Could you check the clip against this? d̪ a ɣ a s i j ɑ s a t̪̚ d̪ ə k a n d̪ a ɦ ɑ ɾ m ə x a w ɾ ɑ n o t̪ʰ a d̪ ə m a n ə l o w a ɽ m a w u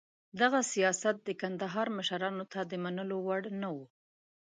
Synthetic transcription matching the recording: d̪ a ɣ a s i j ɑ s a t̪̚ d̪ ə k a n d̪ a ɦ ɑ ɾ m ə ʃ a ɾ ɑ n o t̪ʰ a d̪ ə m a n ə l o w a ɽ n a w u